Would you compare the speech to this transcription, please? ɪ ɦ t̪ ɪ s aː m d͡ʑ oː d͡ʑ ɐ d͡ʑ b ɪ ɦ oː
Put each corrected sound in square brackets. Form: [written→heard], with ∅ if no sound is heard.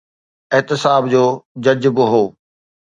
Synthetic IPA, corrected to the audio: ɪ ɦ t̪ ɪ s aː [m→b] d͡ʑ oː d͡ʑ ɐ d͡ʑ b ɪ ɦ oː